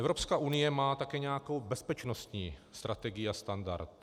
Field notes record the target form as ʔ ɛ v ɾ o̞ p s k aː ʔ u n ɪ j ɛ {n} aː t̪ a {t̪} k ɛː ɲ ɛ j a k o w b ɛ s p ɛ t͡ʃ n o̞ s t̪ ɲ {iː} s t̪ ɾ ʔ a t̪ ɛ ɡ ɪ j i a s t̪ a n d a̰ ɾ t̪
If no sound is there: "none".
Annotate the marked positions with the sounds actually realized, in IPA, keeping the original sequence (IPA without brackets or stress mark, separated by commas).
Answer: m, none, iː